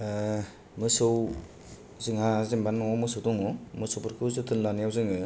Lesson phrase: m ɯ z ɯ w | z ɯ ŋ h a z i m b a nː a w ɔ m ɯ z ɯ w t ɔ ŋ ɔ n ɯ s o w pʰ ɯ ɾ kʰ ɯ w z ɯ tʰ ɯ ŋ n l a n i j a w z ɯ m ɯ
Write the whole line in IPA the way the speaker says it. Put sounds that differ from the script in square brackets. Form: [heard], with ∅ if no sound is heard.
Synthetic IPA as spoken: m ɯ [s] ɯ w | z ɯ ŋ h a z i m b a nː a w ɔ m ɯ [s] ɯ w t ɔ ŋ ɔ [m] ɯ s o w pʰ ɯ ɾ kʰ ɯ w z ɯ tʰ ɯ [∅] n l a n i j a w z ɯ [ŋ] ɯ